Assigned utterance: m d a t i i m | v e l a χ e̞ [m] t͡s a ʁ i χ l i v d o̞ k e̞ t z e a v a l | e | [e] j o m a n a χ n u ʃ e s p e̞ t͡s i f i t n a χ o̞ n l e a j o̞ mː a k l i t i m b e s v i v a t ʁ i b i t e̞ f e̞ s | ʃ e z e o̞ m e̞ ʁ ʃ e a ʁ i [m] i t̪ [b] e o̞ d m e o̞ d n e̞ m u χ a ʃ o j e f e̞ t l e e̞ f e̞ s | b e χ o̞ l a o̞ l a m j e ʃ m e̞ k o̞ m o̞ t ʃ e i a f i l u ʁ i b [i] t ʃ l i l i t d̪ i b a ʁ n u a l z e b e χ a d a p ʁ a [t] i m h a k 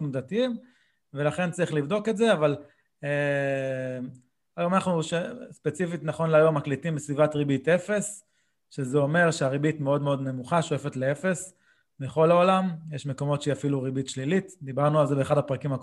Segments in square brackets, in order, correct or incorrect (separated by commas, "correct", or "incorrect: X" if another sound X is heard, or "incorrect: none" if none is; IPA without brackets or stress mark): incorrect: n, incorrect: a, incorrect: b, incorrect: m, correct, incorrect: k